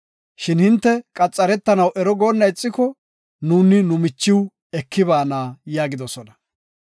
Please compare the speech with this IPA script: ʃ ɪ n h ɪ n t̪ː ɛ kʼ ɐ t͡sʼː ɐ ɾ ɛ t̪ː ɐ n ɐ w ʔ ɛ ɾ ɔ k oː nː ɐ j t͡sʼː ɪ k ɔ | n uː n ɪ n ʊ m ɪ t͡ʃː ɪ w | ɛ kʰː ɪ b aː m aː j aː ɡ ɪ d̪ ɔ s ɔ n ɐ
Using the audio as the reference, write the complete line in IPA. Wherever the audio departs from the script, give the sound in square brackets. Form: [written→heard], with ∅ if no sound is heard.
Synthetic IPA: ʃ ɪ n h ɪ n t̪ː ɛ kʼ ɐ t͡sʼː ɐ ɾ ɛ t̪ː ɐ n ɐ w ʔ ɛ ɾ ɔ [k→ɡ] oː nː ɐ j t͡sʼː ɪ k ɔ | n uː n ɪ n ʊ m ɪ t͡ʃː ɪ w | ɛ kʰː ɪ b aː [m→n] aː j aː ɡ ɪ d̪ ɔ s ɔ n ɐ